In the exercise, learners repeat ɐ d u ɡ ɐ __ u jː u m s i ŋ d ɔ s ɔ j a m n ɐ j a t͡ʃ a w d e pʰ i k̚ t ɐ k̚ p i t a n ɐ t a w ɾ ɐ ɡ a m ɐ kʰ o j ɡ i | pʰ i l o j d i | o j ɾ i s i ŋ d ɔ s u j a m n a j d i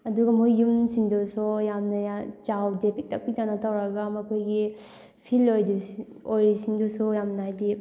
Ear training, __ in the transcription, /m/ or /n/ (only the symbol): m